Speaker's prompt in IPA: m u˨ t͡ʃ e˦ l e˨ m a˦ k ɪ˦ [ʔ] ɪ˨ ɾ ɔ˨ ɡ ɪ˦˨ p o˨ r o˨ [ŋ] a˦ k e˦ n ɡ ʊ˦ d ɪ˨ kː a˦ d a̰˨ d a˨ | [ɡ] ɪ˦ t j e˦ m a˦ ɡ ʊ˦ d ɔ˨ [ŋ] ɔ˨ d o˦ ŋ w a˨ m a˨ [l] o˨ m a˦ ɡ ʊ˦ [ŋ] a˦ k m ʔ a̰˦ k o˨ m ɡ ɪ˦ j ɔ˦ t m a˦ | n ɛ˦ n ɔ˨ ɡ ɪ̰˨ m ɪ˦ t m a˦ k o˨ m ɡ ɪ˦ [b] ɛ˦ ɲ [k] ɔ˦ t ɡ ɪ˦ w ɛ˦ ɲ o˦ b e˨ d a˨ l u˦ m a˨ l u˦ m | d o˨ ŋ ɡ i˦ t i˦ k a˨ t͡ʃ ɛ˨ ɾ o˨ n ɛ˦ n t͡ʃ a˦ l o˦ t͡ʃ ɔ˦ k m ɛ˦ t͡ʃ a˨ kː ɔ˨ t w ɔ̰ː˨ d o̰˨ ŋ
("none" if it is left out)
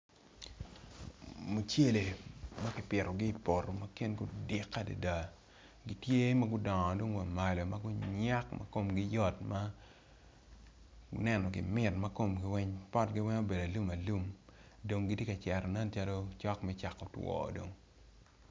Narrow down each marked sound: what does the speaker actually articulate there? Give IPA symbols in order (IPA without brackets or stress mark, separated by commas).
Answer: p, m, ɡ, ŋ, l, ɲ, w, p